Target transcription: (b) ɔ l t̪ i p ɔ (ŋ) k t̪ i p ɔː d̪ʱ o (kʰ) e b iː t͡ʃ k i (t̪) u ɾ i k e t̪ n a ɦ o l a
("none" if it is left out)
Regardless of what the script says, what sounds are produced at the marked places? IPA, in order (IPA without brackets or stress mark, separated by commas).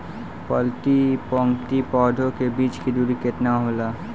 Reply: p, ŋ, k, d̪